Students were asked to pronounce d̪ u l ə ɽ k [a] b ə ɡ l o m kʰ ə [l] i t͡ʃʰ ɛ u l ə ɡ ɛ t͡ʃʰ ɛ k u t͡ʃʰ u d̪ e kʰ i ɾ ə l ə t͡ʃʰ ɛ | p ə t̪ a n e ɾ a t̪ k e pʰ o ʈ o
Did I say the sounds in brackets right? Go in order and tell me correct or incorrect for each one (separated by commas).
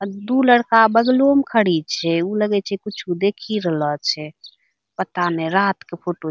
correct, incorrect